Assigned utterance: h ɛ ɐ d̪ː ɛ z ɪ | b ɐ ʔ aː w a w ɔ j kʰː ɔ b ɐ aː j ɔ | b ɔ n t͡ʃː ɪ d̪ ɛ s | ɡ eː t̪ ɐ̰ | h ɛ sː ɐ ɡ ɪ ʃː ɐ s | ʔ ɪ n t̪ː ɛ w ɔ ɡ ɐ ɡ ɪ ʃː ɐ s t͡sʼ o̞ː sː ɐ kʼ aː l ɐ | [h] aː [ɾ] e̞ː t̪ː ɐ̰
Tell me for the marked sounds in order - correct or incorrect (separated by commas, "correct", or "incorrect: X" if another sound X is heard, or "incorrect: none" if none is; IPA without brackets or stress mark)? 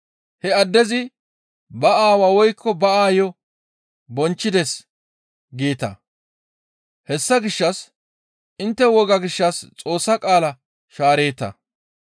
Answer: incorrect: ʃ, correct